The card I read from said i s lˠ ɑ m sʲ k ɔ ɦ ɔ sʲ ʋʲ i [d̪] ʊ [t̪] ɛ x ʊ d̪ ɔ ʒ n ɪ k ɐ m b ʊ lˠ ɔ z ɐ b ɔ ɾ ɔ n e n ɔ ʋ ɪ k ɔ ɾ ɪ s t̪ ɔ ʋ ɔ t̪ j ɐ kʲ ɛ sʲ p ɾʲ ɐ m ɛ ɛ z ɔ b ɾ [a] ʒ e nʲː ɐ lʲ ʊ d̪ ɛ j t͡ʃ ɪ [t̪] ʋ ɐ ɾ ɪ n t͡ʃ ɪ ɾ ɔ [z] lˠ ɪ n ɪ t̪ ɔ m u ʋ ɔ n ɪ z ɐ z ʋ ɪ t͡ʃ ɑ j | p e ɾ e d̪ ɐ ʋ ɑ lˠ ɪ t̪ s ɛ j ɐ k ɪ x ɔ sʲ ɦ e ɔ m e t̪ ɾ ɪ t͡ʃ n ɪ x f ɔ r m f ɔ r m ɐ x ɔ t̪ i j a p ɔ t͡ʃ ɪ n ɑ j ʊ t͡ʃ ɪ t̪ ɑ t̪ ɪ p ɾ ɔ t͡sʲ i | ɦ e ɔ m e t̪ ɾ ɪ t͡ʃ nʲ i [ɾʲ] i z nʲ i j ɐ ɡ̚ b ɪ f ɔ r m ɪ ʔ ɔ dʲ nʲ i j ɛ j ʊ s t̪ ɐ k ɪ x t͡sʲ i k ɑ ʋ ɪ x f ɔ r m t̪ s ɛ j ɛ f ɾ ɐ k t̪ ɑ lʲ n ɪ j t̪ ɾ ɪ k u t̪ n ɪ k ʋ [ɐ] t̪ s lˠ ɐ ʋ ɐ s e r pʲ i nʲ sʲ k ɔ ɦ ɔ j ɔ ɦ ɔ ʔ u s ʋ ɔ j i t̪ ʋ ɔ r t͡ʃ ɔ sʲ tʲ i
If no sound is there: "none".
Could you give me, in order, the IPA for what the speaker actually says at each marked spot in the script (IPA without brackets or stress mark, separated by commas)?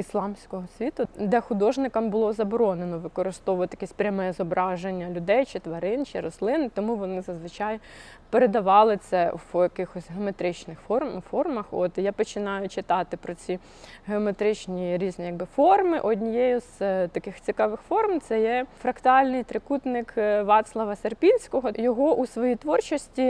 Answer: t̪, d̪, ɑ, t̪, s, ɾʲ, ɑ